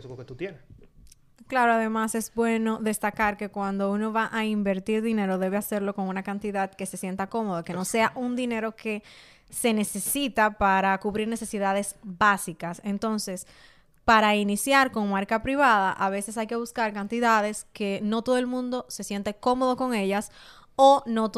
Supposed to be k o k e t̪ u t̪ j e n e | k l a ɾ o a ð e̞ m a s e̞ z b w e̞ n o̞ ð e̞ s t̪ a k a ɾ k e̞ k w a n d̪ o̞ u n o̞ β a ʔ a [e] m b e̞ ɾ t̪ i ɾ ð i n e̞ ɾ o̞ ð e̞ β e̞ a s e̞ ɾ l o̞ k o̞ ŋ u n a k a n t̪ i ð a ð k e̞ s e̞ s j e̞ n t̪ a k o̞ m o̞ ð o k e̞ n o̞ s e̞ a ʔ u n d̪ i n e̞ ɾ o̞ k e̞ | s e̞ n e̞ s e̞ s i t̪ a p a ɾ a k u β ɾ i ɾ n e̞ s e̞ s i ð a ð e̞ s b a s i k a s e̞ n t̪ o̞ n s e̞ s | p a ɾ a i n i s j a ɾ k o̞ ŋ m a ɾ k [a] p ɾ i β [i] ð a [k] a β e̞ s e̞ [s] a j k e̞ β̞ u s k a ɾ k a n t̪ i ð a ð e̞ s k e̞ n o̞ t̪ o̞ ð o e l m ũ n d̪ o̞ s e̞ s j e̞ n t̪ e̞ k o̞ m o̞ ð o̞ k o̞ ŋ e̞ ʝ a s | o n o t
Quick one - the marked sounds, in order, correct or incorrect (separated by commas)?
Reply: incorrect, correct, incorrect, incorrect, correct